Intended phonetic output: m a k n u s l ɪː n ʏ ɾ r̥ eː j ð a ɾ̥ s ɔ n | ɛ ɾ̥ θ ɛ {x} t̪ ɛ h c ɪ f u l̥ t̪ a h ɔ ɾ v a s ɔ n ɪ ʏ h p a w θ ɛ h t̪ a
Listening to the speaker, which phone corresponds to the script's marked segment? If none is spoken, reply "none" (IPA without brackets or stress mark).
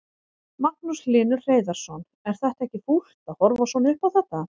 h